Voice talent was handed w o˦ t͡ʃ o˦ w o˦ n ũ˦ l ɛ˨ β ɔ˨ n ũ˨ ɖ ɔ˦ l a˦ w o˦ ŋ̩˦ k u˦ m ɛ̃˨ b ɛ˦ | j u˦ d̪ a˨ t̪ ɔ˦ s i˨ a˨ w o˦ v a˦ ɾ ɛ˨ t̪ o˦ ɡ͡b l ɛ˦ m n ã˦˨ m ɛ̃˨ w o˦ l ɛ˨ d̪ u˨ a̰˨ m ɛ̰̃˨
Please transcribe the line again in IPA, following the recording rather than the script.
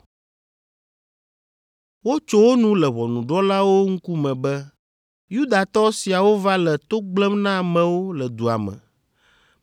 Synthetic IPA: w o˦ t͡ʃ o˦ w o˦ n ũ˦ l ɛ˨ β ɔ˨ n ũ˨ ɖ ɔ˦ l a˦ w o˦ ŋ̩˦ k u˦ m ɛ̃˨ b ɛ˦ | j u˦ d̪ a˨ t̪ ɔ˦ s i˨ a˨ w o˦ v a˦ l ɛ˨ t̪ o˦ ɡ͡b l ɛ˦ m n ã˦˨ m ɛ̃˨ w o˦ l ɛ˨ d̪ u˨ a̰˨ m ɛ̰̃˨